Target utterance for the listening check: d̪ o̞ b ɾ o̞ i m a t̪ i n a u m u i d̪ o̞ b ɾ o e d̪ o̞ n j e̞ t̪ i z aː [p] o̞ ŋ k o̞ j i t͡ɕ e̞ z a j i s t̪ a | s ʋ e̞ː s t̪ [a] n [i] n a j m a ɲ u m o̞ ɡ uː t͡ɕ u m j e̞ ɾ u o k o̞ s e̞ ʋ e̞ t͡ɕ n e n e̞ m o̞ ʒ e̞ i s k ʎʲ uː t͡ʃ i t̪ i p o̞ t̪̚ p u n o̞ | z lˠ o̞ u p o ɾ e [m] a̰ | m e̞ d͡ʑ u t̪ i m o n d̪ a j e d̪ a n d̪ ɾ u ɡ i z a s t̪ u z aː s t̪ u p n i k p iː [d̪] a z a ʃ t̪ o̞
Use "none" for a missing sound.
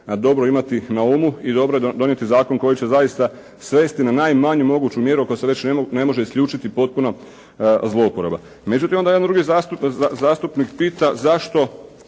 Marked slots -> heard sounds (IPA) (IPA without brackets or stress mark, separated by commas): k, i, a, b, t̪